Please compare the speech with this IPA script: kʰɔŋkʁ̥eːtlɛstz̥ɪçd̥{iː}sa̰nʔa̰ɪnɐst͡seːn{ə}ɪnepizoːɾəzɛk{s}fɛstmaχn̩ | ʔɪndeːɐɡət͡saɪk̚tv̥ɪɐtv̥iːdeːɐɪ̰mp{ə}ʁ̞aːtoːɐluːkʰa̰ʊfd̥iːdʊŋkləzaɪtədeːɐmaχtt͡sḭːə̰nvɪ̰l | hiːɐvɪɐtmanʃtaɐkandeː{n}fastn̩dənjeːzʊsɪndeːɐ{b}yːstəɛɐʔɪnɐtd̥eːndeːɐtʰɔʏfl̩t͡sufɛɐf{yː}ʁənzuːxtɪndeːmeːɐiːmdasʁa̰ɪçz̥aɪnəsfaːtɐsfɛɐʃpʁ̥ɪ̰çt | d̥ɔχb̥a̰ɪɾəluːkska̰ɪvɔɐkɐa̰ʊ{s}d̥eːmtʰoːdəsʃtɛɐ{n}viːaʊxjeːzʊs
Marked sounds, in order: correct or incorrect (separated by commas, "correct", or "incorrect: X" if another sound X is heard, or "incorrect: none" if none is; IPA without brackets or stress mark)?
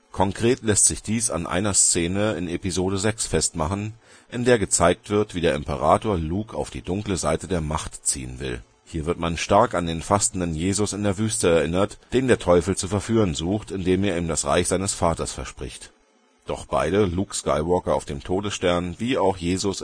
correct, correct, correct, correct, correct, incorrect: v, correct, incorrect: f, correct